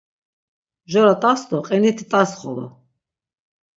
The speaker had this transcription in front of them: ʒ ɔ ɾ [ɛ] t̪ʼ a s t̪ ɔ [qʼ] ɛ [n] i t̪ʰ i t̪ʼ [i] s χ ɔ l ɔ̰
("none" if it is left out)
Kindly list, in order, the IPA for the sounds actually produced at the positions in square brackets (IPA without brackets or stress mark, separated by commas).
a, qʼ, n, a